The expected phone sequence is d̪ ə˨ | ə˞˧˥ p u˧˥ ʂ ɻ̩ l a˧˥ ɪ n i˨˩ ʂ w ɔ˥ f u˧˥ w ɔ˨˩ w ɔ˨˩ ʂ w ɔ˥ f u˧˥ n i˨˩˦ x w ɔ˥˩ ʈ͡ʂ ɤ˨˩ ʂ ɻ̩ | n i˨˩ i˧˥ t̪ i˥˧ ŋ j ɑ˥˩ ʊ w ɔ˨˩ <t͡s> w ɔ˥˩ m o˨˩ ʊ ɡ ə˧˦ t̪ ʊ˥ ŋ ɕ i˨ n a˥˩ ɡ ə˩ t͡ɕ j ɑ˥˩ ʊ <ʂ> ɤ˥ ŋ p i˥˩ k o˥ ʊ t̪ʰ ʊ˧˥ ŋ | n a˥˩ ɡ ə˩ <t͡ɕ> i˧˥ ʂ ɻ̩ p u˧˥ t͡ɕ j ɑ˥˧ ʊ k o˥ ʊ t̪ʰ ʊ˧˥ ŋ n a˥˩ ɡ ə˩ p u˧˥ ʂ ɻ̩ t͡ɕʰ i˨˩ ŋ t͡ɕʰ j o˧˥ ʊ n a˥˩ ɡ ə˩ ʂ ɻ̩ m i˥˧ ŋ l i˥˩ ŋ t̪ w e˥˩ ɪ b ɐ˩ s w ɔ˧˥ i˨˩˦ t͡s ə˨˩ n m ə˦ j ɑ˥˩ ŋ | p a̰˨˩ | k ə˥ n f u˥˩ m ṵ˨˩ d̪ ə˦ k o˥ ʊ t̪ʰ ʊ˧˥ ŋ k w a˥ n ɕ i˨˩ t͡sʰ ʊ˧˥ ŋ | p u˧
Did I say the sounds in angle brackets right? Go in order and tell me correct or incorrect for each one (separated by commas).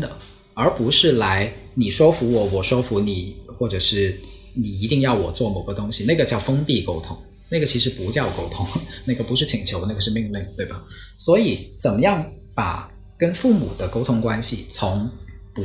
correct, incorrect, incorrect